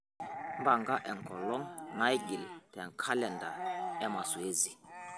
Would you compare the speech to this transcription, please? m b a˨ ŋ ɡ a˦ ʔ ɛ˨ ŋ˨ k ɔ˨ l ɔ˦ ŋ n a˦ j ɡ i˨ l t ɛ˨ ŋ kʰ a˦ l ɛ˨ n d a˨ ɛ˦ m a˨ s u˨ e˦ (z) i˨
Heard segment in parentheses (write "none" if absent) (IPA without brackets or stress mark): z